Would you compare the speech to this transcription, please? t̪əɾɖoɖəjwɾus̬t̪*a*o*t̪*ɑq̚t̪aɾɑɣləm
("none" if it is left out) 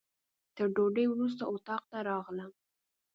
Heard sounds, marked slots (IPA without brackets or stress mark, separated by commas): a, t̪